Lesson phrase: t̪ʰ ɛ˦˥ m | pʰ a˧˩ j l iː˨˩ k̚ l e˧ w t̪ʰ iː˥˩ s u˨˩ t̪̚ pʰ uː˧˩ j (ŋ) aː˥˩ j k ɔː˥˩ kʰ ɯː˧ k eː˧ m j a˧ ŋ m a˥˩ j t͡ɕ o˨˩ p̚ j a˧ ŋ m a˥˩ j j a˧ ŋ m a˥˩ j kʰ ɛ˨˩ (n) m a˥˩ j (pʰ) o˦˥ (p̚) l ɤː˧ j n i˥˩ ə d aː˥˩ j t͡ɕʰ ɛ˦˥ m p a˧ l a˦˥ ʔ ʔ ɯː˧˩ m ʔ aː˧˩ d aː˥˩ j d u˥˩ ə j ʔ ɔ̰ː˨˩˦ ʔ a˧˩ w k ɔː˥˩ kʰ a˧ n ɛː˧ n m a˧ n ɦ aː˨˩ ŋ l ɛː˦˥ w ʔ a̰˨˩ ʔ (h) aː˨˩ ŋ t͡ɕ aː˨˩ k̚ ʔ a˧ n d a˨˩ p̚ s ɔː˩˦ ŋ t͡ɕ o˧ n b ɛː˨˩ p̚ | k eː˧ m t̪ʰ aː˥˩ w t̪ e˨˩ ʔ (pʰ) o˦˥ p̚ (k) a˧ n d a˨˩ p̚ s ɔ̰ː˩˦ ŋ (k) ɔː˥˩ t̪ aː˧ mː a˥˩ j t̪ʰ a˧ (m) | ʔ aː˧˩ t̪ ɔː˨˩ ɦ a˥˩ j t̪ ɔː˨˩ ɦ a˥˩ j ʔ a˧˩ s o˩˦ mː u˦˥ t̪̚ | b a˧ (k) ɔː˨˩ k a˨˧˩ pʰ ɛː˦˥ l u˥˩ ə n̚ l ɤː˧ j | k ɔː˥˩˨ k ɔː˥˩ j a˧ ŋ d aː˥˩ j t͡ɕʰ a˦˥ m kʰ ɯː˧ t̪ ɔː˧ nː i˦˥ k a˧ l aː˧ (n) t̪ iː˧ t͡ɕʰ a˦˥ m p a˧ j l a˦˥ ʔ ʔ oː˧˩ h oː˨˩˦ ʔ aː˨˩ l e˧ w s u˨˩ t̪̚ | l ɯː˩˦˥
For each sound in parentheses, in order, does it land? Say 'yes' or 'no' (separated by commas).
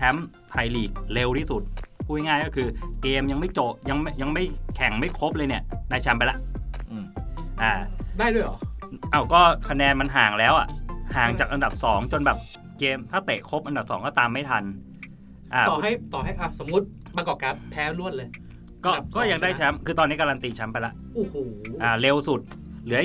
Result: yes, no, no, yes, yes, no, no, yes, no, yes, yes